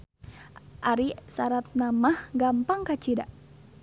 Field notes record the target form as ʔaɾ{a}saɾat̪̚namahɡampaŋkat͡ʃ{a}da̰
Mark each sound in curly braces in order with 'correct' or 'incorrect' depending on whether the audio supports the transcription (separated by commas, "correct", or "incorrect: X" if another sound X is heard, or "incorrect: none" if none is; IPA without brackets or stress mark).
incorrect: i, incorrect: i